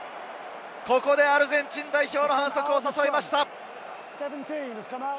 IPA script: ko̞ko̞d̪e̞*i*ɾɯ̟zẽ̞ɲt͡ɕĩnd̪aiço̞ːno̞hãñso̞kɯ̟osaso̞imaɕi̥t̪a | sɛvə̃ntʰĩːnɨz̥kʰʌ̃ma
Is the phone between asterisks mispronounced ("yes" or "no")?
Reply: yes